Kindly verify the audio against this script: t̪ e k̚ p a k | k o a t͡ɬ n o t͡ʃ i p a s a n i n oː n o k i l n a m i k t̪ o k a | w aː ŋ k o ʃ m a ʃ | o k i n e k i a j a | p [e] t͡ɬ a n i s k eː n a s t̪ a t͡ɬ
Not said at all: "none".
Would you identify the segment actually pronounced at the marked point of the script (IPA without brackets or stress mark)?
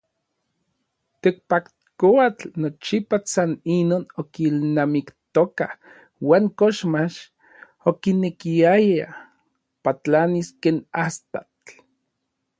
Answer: a